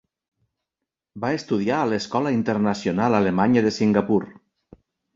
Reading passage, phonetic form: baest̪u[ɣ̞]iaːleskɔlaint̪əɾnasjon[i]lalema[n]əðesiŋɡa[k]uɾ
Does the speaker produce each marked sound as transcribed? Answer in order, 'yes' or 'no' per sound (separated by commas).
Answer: no, no, no, no